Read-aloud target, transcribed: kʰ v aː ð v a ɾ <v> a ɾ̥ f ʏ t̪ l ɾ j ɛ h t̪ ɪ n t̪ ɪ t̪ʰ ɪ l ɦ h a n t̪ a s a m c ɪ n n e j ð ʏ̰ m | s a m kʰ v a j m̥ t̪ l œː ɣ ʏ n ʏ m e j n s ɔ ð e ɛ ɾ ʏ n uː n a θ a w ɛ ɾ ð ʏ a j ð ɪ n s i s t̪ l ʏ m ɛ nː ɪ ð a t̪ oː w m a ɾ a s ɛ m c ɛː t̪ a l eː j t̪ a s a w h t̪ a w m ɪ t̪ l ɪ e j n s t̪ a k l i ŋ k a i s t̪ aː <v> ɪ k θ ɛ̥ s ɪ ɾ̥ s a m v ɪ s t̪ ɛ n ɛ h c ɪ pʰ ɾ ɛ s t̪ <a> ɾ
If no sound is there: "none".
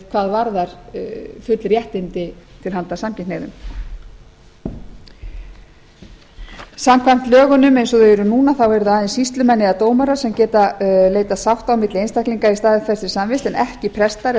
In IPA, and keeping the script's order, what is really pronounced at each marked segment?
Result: ð, ð, a

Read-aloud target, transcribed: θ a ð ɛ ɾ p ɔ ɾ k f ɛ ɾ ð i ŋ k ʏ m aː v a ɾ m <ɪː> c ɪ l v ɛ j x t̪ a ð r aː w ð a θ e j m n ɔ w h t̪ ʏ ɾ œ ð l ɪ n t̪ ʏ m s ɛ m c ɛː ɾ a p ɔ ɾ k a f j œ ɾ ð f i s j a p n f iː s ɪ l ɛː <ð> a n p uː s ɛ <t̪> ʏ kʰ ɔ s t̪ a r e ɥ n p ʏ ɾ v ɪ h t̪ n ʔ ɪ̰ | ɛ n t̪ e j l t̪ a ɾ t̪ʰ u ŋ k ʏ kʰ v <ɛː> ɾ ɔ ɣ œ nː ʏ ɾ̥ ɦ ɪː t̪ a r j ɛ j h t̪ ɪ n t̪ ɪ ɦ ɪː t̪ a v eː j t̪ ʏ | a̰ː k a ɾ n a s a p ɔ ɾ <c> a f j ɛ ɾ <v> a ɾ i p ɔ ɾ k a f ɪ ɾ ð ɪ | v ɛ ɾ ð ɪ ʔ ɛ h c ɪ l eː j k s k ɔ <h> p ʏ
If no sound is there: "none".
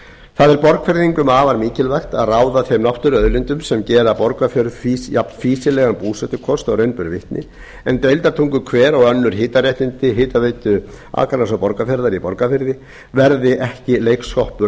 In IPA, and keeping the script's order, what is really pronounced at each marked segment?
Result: iː, ɣ, t̪, ɛː, k, ð, h

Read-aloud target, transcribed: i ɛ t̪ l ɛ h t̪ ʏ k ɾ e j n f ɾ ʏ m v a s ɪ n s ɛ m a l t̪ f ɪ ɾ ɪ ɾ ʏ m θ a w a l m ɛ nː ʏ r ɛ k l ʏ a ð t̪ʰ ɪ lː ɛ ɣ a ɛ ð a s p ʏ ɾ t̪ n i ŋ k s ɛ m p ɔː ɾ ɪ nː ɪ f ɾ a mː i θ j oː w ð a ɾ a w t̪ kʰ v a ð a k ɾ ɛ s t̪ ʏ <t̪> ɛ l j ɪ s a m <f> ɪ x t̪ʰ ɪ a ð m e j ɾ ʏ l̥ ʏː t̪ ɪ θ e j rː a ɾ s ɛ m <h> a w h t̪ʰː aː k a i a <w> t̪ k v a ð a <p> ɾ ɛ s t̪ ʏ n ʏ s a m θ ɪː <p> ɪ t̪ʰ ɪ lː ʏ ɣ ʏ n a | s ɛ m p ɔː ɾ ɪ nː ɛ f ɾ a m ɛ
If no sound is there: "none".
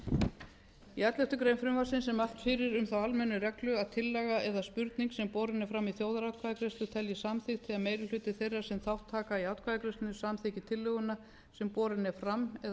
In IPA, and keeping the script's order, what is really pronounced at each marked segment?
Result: t̪ʰ, θ, θ, w, k, c

